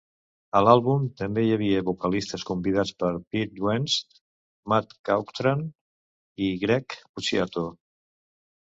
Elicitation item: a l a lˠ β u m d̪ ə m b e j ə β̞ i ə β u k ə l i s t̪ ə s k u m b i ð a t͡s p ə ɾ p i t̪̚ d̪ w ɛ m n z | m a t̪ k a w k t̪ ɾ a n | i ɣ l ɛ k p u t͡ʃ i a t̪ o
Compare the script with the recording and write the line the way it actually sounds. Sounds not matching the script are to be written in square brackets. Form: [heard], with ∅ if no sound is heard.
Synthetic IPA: [ə] l a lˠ β u m [t̪] ə m b e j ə β̞ i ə β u k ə l i s t̪ ə s k u m b i ð a t͡s p ə ɾ p i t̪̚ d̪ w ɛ [∅] n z | m a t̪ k a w k t̪ ɾ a n | i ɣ [ɾ] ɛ k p u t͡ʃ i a t̪ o